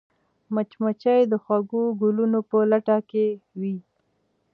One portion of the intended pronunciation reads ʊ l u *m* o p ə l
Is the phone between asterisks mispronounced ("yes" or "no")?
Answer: yes